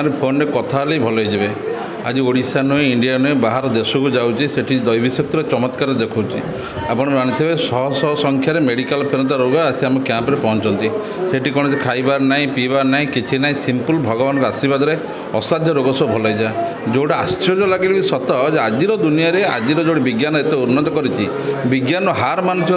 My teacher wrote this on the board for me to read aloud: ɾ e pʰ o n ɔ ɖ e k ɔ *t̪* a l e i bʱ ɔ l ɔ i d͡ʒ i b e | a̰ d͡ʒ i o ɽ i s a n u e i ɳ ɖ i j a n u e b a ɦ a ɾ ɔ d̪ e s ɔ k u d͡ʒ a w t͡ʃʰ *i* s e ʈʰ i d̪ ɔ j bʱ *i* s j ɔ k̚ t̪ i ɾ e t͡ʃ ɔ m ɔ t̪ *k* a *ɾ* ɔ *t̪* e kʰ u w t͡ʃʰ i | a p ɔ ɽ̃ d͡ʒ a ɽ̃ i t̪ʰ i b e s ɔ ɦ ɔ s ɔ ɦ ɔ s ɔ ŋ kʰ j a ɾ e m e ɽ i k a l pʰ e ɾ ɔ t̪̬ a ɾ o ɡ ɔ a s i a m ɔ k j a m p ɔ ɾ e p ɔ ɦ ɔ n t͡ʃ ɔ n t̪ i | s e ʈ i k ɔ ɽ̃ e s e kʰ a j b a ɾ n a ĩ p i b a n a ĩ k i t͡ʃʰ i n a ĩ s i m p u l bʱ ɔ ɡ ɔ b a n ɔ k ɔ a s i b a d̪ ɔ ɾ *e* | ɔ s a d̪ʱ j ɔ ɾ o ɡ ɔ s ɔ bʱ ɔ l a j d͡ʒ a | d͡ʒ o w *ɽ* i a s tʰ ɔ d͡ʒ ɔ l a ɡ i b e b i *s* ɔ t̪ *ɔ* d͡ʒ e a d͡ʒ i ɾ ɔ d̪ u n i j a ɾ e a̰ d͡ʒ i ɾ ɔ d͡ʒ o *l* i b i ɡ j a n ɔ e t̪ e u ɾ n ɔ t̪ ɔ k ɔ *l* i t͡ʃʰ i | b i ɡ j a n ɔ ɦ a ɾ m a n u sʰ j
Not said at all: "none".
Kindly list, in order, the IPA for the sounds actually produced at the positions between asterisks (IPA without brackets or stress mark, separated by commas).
t̪ʰ, i, i, k, ɾ, d̪, e, ɽ, s, ɔ, ɽ, ɾ